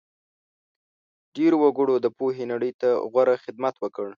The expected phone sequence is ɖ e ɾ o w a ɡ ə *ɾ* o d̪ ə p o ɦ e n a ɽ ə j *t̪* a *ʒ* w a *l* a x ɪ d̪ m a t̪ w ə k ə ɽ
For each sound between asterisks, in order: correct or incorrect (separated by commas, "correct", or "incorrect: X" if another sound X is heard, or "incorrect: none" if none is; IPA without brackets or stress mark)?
incorrect: ɽ, correct, incorrect: ɣ, incorrect: ɾ